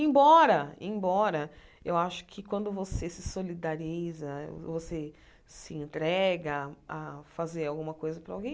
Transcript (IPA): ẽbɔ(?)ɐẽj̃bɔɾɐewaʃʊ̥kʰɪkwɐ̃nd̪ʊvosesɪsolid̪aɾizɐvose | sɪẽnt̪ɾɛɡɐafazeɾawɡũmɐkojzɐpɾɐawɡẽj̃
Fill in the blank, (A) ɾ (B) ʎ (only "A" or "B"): A